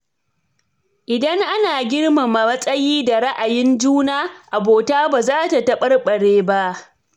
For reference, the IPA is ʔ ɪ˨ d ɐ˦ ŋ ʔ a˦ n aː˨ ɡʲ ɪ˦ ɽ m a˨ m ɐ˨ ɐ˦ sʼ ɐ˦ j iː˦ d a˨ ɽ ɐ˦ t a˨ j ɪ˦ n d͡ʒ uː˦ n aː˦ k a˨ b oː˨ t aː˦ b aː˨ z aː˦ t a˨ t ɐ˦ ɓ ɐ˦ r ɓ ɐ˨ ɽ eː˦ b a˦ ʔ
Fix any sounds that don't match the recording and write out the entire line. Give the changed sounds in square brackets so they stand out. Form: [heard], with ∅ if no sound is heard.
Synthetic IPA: ʔ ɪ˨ d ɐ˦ ŋ ʔ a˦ n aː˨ ɡʲ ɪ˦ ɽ m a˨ m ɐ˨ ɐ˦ sʼ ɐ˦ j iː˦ d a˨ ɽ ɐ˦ [ʔ] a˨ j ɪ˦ n d͡ʒ uː˦ n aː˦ [ʔ] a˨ b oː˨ t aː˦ b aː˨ z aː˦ t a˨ t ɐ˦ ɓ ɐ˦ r ɓ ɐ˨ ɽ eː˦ b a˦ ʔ